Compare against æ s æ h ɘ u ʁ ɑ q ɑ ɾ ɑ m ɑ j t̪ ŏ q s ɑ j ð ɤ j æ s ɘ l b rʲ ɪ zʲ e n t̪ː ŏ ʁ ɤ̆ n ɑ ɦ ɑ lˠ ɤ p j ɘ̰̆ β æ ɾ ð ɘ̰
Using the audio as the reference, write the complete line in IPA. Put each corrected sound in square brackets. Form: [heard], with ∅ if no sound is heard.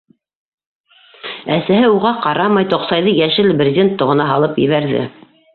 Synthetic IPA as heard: æ s æ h ɘ u ʁ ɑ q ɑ ɾ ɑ m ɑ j t̪ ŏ q s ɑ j ð ɤ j æ [ʃ] ɘ l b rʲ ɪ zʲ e n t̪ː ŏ ʁ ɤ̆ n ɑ ɦ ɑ lˠ ɤ p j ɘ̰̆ β æ ɾ ð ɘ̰